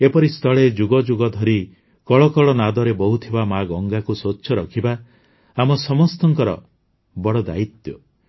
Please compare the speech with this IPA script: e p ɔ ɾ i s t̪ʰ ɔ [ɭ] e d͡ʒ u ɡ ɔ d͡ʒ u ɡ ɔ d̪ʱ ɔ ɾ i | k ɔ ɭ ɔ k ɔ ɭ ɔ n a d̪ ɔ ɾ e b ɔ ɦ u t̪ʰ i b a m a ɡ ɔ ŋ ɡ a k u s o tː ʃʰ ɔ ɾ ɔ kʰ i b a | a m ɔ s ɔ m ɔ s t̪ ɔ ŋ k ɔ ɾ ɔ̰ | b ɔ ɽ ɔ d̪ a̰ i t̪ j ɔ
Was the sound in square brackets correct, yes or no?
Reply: yes